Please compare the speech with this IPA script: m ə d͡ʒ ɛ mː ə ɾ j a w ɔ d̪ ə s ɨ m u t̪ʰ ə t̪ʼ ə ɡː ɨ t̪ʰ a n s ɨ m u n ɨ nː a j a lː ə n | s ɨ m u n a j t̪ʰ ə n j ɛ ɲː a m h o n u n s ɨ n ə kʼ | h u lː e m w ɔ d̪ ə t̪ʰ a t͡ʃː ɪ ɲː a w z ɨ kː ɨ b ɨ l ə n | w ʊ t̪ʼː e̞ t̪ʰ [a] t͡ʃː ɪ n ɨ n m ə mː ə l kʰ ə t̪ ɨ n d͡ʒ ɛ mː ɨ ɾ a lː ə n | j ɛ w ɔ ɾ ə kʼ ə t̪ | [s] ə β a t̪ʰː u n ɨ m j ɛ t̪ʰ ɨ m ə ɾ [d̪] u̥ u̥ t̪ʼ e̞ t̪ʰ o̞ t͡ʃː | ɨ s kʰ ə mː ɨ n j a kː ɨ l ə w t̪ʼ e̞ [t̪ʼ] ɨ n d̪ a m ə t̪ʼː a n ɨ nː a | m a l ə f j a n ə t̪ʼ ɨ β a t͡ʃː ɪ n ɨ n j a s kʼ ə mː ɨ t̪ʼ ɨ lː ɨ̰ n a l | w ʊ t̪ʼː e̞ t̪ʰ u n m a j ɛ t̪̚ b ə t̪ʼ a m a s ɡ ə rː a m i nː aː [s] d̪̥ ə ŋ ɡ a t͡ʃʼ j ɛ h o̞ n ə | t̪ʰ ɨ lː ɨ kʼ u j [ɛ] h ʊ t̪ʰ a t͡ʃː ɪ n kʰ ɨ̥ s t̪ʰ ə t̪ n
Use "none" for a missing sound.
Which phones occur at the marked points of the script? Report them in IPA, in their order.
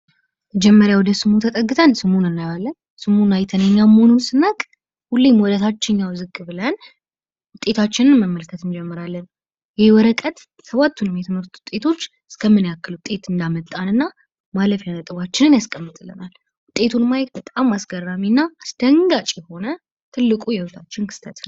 a, s, t̪, t̪, s, ɛ

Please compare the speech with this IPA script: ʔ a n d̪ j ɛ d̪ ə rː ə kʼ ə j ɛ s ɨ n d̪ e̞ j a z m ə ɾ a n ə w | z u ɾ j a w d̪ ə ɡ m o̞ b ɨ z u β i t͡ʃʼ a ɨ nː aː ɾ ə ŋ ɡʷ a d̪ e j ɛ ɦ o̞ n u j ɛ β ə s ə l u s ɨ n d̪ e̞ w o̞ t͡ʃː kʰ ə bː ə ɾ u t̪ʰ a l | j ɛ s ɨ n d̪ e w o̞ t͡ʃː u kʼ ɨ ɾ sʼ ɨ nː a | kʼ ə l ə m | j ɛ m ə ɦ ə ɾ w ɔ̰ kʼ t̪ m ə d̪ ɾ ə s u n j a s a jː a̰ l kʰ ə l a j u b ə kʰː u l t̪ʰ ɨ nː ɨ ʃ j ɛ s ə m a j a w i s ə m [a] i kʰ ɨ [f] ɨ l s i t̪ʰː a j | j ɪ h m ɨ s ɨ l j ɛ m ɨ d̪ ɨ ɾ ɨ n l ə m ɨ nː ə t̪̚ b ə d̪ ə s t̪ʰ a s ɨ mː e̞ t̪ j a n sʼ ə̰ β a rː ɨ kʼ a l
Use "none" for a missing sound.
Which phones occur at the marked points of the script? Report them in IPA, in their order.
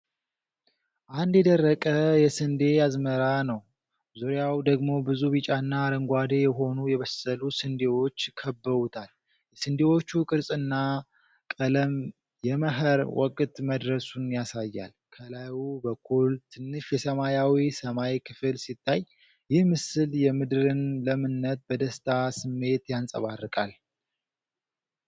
a, f

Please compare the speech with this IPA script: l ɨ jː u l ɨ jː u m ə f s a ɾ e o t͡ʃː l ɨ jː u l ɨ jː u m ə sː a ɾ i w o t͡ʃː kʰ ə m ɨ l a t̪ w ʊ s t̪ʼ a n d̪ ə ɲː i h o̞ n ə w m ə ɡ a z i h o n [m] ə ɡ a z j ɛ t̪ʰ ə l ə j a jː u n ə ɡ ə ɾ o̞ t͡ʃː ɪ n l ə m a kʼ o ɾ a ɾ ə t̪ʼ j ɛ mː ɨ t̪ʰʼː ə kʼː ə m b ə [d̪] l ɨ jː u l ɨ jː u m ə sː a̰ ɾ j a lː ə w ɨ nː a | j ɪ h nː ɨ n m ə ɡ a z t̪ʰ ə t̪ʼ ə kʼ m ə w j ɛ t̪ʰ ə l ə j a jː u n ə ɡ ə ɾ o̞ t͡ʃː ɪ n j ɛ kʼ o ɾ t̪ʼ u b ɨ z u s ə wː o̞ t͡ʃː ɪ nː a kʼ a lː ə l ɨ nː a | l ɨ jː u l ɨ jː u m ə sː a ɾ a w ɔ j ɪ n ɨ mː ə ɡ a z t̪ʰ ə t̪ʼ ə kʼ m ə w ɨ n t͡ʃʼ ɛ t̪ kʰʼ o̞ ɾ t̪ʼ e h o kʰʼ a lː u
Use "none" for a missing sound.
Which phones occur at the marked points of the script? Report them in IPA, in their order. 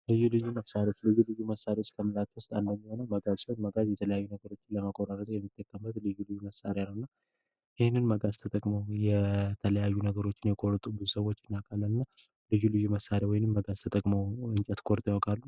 m, t̪

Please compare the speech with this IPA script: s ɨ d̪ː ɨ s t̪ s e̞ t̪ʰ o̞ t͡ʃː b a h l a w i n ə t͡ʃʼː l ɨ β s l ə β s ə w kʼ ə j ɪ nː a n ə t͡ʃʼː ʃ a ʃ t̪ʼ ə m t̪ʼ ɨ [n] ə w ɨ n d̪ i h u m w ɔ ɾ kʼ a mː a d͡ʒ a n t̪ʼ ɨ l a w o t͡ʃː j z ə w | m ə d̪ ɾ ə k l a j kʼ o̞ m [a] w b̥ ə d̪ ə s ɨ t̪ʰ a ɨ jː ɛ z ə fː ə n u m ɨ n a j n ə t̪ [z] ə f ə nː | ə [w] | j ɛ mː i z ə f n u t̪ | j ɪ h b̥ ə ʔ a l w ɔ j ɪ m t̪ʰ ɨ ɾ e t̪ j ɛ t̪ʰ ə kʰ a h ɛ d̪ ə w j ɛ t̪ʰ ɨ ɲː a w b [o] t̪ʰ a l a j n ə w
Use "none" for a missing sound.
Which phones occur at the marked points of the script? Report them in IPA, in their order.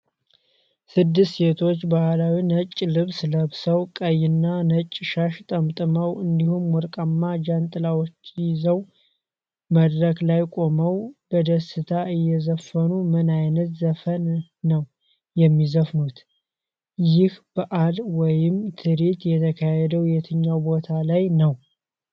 m, ə, z, w, o

